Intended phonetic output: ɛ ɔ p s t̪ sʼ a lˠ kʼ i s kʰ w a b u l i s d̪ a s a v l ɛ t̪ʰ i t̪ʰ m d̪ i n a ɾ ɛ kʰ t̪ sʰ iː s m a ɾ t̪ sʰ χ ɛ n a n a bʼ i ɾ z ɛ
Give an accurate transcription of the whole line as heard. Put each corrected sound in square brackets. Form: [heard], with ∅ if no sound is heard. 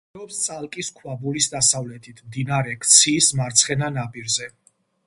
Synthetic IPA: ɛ ɔ p s t̪ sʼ a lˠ kʼ i s kʰ w a b u l i s d̪ a s a v l ɛ t̪ʰ i t̪ʰ m d̪ i n a ɾ ɛ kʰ t̪ sʰ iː s m a ɾ t̪ sʰ χ ɛ n a n a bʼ i ɾ z ɛ